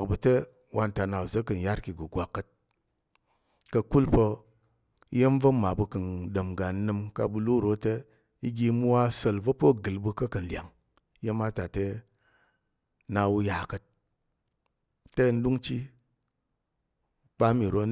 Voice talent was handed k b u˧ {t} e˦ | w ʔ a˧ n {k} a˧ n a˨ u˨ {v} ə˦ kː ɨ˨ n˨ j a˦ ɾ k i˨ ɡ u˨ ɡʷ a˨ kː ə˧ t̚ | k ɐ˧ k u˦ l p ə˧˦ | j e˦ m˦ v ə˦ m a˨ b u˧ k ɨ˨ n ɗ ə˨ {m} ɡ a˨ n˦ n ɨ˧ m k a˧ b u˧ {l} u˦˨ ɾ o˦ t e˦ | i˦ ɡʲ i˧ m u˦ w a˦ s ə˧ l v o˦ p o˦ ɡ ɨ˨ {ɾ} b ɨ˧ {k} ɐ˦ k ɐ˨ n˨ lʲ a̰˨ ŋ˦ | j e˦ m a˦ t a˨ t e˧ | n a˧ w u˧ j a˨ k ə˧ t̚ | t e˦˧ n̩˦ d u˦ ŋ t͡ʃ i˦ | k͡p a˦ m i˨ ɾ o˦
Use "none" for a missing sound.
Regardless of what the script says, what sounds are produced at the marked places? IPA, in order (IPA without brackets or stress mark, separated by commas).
t, t, z, m, l, l, k